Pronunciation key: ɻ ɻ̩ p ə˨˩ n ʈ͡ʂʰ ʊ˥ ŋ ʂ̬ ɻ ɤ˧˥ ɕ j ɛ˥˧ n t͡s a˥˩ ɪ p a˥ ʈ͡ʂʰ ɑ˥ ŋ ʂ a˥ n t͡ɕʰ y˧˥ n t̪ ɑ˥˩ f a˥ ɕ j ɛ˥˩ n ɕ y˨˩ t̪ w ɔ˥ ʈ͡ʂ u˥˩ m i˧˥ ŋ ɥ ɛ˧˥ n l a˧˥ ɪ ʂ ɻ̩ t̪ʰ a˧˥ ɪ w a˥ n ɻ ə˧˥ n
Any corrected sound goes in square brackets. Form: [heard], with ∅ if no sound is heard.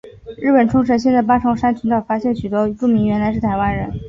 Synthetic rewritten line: ɻ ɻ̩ p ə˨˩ n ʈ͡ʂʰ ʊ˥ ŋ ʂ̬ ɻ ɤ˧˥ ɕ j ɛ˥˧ n t͡s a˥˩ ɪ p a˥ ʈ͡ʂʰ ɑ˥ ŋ ʂ a˥ n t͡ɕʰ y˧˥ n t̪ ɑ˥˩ f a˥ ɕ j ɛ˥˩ n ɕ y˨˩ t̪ w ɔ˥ ʈ͡ʂ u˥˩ m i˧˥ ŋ ɥ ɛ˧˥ n l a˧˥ ɪ ʂ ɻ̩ t̪ʰ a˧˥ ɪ w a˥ n ɻ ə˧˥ n